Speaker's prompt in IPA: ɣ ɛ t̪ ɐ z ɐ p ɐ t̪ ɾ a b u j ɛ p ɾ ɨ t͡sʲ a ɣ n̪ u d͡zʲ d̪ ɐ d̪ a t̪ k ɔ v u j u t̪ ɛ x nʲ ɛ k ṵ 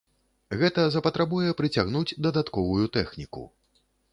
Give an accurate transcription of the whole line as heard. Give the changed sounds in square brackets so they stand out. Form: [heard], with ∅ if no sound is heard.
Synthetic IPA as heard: ɣ ɛ t̪ ɐ z ɐ p ɐ t̪ ɾ a b u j ɛ p ɾ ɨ t͡sʲ a ɣ n̪ u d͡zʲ d̪ ɐ d̪ a t̪ k ɔ v u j u t̪ ɛ x nʲ [i] k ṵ